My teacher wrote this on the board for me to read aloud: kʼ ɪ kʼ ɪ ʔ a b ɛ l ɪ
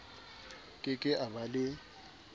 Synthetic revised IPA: kʼ ɪ kʼ ɪ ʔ a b a l ɪ